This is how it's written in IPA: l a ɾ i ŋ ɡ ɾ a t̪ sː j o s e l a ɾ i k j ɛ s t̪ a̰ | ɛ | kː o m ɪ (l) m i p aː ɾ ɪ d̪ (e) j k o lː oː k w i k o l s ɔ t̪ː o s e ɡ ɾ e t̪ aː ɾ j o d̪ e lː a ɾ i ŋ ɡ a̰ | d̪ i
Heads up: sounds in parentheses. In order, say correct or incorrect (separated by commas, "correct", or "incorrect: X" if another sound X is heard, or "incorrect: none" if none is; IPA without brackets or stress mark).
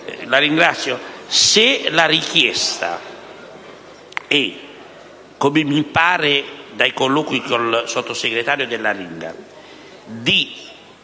incorrect: none, incorrect: a